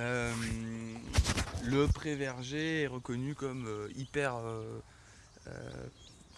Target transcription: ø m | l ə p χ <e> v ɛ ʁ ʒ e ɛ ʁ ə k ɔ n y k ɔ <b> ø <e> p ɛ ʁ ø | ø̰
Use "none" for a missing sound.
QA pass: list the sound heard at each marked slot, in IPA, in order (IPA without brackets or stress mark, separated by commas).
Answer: e, m, i